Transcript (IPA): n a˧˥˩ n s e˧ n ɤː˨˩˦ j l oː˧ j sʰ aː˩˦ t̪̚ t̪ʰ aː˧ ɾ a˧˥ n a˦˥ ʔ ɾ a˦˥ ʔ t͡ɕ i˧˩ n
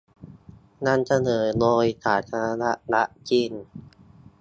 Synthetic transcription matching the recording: n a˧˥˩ n s a˧ n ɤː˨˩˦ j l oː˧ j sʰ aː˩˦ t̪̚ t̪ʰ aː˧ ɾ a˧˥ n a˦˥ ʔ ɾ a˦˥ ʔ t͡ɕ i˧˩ n